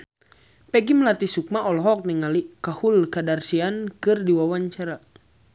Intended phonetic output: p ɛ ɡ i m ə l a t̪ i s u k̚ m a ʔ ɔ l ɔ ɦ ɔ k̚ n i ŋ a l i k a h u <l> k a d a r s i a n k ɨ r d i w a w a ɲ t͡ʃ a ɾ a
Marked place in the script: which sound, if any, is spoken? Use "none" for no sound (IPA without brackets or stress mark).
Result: l